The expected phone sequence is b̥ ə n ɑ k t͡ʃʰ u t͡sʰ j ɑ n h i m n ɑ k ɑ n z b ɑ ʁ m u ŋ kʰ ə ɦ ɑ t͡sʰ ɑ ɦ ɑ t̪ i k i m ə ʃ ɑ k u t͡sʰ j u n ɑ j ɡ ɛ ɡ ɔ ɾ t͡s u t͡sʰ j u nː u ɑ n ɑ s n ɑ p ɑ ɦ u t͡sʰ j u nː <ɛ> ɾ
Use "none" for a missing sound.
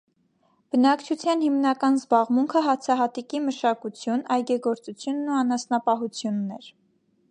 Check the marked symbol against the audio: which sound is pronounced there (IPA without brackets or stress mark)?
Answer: ɛ